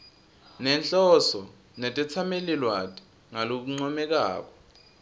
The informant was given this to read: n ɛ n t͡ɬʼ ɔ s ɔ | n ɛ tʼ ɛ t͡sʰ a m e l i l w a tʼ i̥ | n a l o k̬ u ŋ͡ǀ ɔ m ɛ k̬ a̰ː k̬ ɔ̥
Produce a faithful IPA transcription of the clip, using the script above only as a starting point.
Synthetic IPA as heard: n ɛ n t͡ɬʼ ɔ s ɔ | n ɛ tʼ ɛ t͡sʰ a m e l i l w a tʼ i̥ | ŋ a l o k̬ u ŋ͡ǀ ɔ m ɛ k̬ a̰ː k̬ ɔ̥